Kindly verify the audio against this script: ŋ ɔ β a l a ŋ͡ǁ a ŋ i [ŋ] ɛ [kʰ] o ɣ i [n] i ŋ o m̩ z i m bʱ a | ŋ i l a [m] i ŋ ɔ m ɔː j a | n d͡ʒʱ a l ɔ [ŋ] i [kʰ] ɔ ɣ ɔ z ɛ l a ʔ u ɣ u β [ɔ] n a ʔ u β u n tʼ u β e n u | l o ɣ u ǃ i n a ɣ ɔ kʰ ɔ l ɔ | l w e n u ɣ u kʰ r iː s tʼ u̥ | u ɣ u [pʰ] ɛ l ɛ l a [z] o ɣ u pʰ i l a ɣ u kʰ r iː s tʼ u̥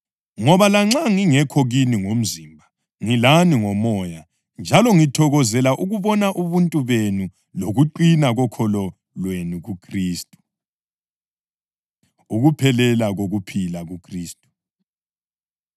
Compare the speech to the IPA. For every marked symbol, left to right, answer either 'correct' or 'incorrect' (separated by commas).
correct, correct, correct, incorrect, correct, incorrect, correct, correct, incorrect